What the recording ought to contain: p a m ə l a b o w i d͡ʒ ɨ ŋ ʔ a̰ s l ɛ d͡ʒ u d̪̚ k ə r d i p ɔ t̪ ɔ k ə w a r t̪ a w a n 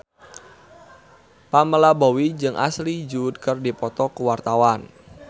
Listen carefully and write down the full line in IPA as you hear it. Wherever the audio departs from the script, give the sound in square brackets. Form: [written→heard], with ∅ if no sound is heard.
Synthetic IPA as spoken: p a m ə l a b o w i d͡ʒ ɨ ŋ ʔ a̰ s l [ɛ→i] d͡ʒ u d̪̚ k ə r d i p ɔ t̪ ɔ k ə w a r t̪ a w a n